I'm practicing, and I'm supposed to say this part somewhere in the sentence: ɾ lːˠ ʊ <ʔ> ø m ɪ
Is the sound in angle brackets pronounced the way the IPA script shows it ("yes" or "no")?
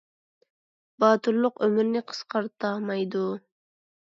no